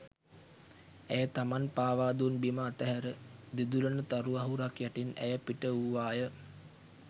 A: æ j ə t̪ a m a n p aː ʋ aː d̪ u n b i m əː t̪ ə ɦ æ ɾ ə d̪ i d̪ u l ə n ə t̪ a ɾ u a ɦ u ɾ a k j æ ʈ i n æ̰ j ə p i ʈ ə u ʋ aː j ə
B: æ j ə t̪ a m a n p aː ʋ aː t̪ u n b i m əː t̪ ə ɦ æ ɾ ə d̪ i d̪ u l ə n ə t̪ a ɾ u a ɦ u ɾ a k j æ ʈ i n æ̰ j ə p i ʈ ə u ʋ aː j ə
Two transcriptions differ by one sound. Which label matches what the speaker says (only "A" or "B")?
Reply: A